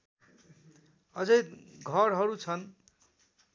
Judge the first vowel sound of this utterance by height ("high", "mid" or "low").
mid